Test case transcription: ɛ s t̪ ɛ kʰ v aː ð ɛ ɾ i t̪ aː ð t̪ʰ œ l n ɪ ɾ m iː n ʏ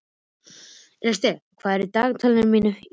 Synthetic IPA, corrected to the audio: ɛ s t̪ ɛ kʰ v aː ð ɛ ɾ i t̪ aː ɣ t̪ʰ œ l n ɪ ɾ m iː n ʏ